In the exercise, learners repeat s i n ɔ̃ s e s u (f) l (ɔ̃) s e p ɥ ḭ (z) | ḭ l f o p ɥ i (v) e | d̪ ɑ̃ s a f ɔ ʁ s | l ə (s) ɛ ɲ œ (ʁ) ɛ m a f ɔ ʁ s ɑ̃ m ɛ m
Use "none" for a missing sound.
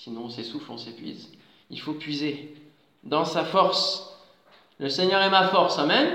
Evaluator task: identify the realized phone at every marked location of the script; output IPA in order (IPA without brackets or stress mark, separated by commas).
f, ɔ̃, z, z, s, ʁ